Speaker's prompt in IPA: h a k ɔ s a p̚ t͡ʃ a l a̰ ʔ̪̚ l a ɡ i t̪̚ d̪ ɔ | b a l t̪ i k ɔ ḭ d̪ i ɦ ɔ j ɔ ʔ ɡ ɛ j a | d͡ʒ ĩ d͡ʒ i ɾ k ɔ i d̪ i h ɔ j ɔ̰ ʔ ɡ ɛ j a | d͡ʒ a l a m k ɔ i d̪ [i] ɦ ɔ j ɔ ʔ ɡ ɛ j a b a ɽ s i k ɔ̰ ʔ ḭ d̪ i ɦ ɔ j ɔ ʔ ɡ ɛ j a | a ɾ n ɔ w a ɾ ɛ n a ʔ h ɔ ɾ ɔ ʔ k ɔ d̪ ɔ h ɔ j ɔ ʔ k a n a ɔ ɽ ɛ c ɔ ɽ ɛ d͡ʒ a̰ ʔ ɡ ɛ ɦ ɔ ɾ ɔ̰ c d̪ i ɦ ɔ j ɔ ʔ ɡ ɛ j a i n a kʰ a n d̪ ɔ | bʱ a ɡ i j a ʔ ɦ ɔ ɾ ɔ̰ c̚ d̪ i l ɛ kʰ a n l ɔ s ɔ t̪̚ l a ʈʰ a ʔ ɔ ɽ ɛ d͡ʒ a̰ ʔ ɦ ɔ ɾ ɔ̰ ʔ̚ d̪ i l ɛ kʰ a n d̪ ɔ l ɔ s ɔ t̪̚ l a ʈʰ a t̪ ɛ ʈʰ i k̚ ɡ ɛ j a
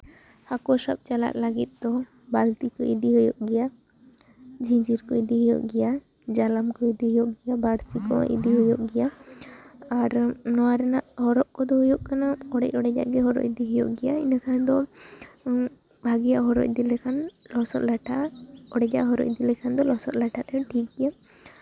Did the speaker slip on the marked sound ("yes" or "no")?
no